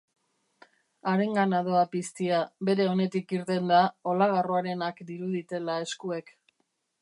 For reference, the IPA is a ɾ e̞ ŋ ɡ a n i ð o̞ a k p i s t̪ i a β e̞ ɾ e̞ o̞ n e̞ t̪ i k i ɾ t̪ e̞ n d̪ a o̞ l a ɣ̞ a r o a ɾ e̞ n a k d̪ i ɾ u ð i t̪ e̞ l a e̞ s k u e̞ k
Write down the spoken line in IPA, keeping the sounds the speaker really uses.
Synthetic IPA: a ɾ e̞ ŋ ɡ a n a ð o̞ a p i s t̪ i a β e̞ ɾ e̞ o̞ n e̞ t̪ i k i ɾ t̪ e̞ n d̪ a o̞ l a ɣ̞ a r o a ɾ e̞ n a k d̪ i ɾ u ð i t̪ e̞ l a e̞ s k u e̞ k